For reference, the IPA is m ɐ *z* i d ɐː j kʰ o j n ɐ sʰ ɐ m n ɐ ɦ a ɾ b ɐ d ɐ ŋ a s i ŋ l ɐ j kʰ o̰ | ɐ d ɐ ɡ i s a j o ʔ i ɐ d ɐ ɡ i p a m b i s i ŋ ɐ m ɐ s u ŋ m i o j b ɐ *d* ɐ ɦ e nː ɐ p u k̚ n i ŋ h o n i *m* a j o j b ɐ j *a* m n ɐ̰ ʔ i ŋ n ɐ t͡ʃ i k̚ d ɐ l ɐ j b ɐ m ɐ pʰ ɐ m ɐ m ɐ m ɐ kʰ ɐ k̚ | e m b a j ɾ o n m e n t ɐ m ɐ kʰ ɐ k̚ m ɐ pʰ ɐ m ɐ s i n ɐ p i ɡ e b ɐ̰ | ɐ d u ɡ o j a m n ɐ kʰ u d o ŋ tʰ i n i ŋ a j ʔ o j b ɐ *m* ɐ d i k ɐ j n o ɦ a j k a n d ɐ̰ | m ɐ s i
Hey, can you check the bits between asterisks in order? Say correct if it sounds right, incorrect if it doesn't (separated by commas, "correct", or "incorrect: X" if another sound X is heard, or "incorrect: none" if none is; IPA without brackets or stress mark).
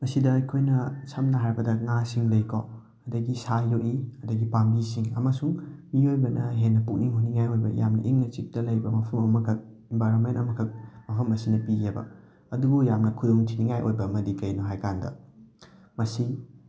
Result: incorrect: s, incorrect: n, incorrect: ŋ, correct, correct